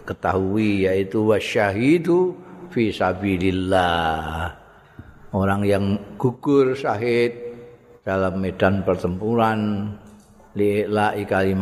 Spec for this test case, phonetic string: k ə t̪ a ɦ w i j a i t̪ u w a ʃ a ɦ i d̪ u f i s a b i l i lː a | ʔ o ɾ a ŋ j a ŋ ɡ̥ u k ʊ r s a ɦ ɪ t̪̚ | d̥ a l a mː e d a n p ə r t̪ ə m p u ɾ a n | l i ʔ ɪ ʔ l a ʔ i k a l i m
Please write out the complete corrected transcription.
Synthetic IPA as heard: k ə t̪ a ɦ u i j a i t̪ u w a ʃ a ɦ i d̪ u f i s a b i l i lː a | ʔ o ɾ a ŋ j a ŋ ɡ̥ u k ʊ r s a ɦ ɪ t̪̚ | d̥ a l a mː e d a n p ə r t̪ ə m p u ɾ a n | l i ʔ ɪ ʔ l a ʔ i k a l i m